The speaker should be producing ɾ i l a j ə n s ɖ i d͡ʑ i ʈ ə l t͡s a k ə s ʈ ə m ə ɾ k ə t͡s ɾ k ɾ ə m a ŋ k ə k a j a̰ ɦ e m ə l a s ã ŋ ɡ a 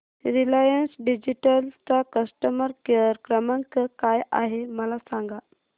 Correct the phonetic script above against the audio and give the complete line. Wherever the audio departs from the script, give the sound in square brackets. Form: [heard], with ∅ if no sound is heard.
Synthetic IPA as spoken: ɾ i l a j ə n s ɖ i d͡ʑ i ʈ ə l t͡s a k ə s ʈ ə m ə ɾ k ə [∅] ɾ k ɾ ə m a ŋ k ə k a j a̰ ɦ e m ə l a s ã ŋ ɡ a